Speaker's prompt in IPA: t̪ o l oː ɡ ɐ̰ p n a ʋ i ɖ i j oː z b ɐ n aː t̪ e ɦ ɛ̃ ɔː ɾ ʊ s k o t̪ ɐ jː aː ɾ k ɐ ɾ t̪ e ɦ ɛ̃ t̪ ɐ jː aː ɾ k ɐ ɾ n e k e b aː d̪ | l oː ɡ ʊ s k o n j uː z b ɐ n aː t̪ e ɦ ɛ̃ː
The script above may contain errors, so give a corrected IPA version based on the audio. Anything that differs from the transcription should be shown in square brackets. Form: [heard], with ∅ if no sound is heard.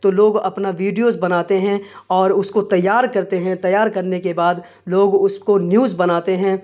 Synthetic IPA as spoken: t̪ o l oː ɡ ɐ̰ p n a ʋ [iː] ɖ i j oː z b ɐ n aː t̪ e ɦ ɛ̃ ɔː ɾ ʊ s k o t̪ ɐ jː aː ɾ k ɐ ɾ t̪ e ɦ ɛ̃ t̪ ɐ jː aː ɾ k ɐ ɾ n e k e b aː d̪ | l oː ɡ ʊ s k o n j uː z b ɐ n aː t̪ e ɦ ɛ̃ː